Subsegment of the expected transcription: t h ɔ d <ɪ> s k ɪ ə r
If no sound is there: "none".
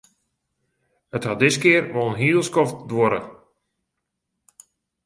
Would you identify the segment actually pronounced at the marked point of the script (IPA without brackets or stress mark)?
ɪ